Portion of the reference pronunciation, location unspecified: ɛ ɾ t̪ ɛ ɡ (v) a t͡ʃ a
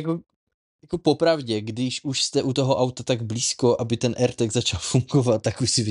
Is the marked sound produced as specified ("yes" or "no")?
no